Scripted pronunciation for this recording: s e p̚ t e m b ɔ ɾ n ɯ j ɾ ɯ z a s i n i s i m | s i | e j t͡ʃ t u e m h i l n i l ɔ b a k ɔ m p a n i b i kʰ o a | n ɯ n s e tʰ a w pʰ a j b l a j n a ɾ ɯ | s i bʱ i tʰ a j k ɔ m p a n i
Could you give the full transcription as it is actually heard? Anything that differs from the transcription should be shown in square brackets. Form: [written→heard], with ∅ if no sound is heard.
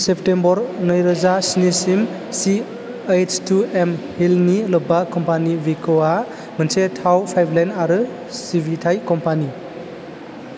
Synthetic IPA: s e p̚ t e m b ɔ ɾ n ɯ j ɾ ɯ z a s i n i s i m | s i | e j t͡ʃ t u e m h i l n i l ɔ b a k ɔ m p a n i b i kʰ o a | [n→m] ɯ n s e tʰ a w pʰ a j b l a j n a ɾ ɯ | s i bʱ i tʰ a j k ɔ m p a n i